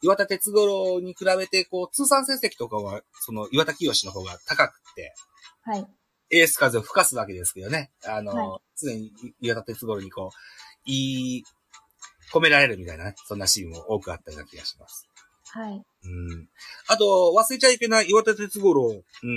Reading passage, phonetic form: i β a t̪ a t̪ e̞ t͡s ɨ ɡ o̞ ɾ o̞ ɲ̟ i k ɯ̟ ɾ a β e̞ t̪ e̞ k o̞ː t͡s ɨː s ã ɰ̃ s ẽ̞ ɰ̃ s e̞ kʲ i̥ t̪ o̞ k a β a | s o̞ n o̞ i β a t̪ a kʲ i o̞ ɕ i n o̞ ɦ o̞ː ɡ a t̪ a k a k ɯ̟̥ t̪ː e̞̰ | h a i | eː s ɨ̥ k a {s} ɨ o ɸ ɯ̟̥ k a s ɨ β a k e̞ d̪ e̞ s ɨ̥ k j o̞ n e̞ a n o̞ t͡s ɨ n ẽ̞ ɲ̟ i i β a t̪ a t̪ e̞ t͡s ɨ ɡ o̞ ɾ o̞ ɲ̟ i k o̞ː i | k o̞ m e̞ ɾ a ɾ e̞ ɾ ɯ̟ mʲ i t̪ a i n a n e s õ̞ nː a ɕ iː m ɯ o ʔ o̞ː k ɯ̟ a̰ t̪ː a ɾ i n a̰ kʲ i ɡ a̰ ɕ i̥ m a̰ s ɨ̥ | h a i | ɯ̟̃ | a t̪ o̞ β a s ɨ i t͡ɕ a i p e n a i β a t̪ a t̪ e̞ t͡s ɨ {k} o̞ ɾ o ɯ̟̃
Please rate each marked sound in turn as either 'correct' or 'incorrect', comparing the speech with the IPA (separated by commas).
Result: incorrect, incorrect